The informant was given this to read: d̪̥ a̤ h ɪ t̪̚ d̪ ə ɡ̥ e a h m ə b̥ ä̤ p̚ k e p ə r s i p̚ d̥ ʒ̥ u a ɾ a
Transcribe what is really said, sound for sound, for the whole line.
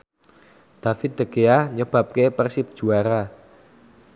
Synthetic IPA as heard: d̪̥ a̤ f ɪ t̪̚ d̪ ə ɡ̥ e a h ɲ ə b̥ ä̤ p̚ k e p ə r s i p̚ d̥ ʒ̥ u a ɾ a